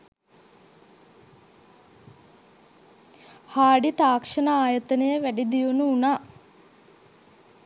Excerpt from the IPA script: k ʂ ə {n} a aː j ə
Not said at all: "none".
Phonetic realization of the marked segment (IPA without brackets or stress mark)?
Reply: n